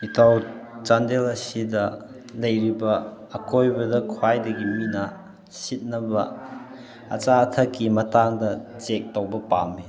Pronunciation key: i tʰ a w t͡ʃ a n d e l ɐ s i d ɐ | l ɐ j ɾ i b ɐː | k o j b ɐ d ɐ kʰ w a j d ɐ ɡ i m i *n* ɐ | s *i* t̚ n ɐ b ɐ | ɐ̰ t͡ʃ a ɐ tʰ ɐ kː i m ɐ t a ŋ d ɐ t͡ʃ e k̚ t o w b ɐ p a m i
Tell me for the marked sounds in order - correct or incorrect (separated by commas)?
correct, correct